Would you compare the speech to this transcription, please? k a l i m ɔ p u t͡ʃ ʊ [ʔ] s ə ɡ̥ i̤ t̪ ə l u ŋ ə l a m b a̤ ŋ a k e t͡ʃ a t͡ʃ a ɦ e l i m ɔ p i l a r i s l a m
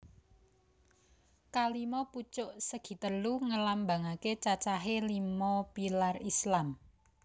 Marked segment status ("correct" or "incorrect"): correct